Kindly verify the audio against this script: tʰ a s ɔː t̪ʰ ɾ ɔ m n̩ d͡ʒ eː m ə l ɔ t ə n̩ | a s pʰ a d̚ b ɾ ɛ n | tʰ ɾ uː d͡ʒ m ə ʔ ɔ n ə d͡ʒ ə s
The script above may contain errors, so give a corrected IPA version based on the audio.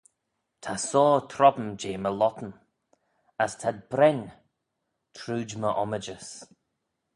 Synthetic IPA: tʰ a s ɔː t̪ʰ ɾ ɔ b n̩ d͡ʒ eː m ə l ɔ t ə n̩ | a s tʰ a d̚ b ɾ ɛ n | tʰ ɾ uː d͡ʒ m ə ʔ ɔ m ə d͡ʒ ə s